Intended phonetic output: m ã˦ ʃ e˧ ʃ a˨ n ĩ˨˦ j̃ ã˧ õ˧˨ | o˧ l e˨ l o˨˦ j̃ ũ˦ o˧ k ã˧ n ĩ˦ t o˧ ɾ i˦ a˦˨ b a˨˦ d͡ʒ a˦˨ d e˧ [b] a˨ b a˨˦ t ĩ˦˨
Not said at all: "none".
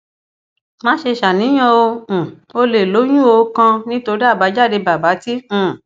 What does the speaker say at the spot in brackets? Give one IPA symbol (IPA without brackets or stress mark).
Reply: b